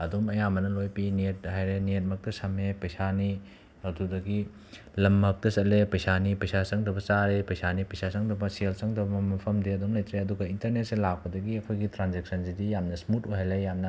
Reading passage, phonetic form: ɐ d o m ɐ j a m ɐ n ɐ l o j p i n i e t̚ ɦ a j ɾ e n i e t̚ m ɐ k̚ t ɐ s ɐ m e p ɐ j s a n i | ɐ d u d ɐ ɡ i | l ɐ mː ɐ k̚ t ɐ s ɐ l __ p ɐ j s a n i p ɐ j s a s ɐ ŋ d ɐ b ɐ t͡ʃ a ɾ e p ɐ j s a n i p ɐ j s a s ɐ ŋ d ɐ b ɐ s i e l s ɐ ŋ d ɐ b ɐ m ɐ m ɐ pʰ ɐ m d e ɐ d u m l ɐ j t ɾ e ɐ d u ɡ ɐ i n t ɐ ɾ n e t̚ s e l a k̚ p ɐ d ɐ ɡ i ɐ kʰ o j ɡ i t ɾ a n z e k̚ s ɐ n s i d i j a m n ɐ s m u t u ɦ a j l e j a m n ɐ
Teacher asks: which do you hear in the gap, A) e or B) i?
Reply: A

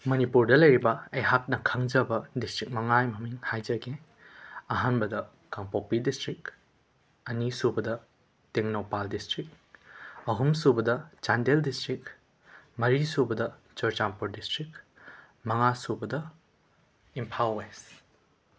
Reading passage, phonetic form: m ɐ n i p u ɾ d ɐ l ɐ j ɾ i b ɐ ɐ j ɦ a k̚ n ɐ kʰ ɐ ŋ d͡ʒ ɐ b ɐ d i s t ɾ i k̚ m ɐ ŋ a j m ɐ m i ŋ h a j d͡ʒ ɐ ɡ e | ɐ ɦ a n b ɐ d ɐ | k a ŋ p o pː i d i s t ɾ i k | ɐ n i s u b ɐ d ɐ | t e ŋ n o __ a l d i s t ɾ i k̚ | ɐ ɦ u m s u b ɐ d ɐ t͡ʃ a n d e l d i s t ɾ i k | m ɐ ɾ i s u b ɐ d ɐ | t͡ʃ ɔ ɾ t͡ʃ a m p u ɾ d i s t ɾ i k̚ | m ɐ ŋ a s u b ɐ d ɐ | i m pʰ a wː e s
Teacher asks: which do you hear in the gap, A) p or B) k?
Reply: A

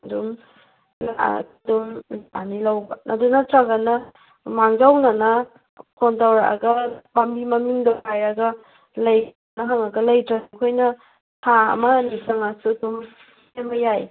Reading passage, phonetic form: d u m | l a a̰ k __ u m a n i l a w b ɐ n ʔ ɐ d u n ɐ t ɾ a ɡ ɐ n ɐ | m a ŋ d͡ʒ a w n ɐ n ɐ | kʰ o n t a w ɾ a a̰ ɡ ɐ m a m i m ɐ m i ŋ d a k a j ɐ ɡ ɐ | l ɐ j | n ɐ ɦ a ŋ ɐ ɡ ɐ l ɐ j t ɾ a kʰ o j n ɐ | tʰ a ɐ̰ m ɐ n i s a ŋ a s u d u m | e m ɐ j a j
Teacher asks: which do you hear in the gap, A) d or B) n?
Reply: A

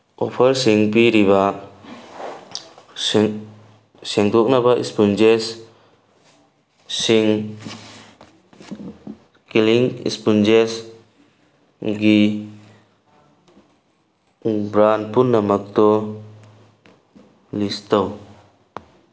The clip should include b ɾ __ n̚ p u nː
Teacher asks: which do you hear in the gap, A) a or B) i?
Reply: A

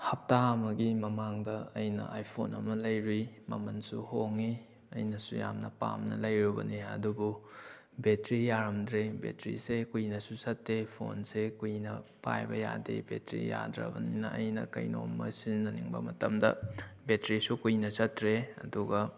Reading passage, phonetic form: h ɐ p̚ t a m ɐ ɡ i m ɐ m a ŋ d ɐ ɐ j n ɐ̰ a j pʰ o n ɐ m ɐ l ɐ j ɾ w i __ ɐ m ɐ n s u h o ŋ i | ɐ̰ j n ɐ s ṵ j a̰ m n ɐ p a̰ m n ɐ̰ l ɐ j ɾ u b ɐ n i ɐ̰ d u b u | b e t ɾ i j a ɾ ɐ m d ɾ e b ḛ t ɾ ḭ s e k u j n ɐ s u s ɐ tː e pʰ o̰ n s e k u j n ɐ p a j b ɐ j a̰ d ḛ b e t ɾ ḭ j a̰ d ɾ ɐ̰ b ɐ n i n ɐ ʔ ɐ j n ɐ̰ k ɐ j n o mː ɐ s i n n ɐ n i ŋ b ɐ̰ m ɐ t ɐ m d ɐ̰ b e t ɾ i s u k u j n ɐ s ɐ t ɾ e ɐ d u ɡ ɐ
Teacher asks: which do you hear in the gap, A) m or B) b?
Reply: A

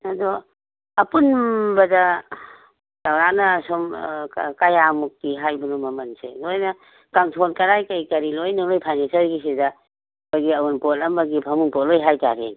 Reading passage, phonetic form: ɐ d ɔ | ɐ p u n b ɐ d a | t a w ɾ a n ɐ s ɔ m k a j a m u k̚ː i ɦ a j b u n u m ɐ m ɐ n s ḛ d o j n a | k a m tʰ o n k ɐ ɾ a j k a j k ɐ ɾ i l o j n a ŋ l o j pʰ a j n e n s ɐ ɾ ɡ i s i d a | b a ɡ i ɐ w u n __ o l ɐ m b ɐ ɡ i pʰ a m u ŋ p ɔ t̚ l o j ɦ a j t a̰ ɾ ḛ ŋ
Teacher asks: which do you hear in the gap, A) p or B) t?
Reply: A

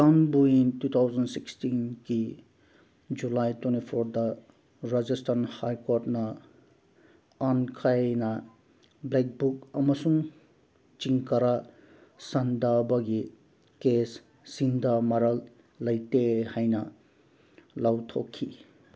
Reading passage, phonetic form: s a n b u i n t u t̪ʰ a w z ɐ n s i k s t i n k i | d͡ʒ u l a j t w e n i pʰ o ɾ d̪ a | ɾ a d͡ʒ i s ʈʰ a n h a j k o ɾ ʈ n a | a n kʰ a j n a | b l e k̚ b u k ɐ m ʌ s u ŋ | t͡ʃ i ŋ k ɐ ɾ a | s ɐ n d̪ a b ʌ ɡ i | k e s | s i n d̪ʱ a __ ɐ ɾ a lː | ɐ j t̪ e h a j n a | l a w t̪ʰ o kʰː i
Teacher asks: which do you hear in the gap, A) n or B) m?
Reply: B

